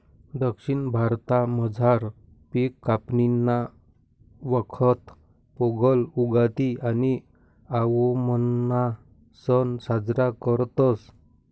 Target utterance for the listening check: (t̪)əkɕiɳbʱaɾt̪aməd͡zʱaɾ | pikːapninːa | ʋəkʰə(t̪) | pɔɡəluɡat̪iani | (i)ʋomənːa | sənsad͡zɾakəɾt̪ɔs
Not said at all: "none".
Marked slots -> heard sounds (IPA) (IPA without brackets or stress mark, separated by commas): d̪, t̪, a